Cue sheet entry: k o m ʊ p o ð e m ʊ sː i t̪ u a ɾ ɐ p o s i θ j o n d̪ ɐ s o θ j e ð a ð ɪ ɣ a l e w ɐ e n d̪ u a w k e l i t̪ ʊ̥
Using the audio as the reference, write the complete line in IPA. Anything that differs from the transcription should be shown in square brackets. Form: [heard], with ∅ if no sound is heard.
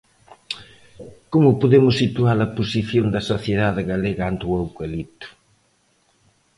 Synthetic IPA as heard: k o m ʊ p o ð e m ʊ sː i t̪ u a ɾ ɐ p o s i θ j o n d̪ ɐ s o θ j e ð a ð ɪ ɣ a l e [ɣ] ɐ [a] n [t̪] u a w k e l i t̪ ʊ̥